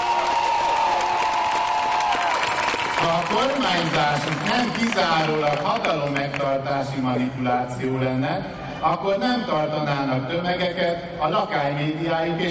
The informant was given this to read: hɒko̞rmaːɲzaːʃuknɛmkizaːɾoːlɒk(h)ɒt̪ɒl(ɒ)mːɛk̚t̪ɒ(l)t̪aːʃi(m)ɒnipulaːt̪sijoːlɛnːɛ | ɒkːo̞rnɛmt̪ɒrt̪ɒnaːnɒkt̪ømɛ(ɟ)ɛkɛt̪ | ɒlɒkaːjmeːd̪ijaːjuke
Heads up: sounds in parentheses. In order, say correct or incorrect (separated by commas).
correct, incorrect, incorrect, correct, incorrect